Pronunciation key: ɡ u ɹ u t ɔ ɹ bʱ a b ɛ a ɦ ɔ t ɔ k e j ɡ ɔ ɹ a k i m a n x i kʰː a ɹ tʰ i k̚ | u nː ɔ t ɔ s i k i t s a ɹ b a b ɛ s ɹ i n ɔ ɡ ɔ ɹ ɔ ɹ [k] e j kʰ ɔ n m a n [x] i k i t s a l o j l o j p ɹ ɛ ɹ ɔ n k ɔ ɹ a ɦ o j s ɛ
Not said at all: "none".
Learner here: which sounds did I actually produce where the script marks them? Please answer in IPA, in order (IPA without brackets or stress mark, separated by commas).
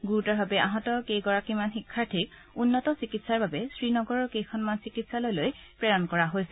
k, s